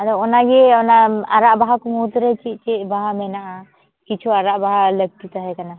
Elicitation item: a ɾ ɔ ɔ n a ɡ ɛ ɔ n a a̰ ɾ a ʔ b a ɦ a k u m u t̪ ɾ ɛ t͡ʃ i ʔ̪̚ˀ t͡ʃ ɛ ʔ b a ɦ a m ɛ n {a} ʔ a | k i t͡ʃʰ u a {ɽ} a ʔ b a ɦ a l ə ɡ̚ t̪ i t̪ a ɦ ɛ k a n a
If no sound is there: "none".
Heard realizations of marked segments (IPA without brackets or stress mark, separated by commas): a, ɾ